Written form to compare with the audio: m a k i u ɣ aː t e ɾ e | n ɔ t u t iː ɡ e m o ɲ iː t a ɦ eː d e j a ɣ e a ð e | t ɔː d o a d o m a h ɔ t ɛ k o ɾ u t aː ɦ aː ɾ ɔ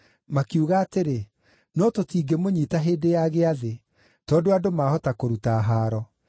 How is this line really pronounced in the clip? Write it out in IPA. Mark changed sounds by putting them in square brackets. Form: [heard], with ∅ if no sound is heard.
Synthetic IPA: m a k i u ɣ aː t e ɾ e | n ɔ t [o] t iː ɡ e m o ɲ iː t a ɦ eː d e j a ɣ e a ð e | t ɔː d o a d o m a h ɔ t [a] k o ɾ u t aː ɦ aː ɾ ɔ

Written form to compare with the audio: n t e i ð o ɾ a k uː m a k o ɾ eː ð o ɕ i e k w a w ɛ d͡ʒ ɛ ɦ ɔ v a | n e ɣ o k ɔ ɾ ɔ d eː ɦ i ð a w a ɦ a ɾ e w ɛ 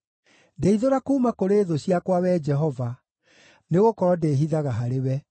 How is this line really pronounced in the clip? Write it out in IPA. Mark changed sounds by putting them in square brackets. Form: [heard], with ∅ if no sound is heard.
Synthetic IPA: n [d] e i ð o ɾ a k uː m a k o ɾ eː ð o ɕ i [a] k w a w ɛ d͡ʒ ɛ ɦ ɔ v a | n e ɣ o k ɔ ɾ ɔ d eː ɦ i ð a [ɣ] a ɦ a ɾ e w ɛ

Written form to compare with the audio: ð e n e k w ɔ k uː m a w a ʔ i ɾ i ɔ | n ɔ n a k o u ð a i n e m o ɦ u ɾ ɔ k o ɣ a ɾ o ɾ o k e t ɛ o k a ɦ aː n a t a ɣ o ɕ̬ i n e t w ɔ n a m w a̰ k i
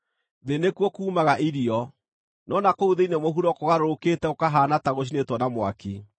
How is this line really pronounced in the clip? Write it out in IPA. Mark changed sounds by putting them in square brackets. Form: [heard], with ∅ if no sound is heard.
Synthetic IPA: ð e n e k w ɔ k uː m a [ɣ] a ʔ i ɾ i ɔ | n ɔ n a k o u ð [e] i n e m o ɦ u ɾ ɔ k o ɣ a ɾ o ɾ o k e t ɛ o k a ɦ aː n a t a ɣ o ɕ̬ i n e t w ɔ n a m w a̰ k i

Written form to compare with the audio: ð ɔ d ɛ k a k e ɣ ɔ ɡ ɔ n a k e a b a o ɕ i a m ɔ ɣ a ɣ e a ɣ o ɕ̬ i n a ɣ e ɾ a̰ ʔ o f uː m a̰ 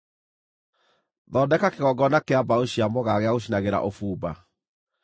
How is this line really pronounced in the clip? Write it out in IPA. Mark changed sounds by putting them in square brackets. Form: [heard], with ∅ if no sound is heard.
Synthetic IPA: ð ɔ d ɛ k a k e ɣ ɔ ɡ ɔ n a k e a b a o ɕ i a m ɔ ɣ a ɣ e a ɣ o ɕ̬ i n a ɣ e ɾ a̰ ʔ o f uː [b] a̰

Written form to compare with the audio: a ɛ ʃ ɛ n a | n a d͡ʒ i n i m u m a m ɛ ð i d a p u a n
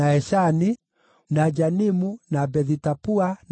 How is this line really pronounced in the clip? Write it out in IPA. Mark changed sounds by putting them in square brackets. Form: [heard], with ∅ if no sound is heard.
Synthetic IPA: a ɛ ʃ [a] n [i] | n a d͡ʒ [a] n i m u [n] a [b] ɛ ð i [t] a p u a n

